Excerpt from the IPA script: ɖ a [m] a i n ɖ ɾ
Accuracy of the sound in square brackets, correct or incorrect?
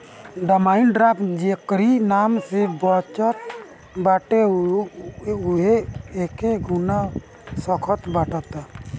correct